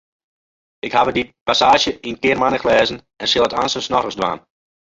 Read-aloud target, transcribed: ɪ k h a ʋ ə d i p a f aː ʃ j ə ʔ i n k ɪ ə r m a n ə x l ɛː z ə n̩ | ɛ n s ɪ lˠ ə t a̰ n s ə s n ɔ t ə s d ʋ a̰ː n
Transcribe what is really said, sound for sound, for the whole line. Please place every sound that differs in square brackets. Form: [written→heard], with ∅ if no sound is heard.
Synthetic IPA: ɪ k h a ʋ ə d i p a [f→s] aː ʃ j ə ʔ i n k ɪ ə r m a n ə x l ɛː z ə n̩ | ɛ n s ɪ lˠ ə t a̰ n s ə s n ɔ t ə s d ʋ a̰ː n